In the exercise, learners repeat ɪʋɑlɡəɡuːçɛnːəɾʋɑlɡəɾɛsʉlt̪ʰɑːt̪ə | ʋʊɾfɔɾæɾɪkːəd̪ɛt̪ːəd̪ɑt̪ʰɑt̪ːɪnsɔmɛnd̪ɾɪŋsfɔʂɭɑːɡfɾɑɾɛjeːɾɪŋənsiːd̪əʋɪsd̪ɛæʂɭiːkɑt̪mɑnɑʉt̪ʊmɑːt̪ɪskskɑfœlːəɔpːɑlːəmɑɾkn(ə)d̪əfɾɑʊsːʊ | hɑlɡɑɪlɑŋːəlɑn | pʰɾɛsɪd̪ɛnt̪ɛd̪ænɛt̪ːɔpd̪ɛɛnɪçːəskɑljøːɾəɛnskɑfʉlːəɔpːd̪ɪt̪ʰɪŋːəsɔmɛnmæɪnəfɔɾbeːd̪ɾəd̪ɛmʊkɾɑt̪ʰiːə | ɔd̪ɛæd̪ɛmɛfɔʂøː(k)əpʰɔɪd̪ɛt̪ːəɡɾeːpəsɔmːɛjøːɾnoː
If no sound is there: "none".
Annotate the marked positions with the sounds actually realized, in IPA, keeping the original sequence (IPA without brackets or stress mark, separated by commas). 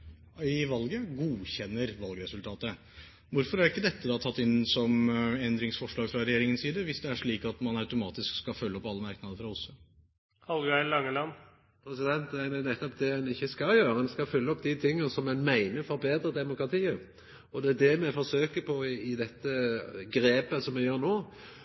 ɑ, k